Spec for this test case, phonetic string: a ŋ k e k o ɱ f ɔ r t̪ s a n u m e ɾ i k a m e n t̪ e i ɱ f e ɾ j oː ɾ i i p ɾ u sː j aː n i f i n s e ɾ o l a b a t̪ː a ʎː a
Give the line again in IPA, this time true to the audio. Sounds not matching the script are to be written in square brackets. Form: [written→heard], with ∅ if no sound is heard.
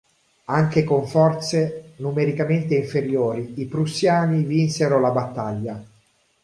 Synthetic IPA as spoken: a ŋ k e k o ɱ f ɔ r t̪ s [a→e] n u m e ɾ i k a m e n t̪ e i ɱ f e ɾ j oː ɾ i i p ɾ u sː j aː n i [f→v] i n s e ɾ o l a b a t̪ː a ʎː a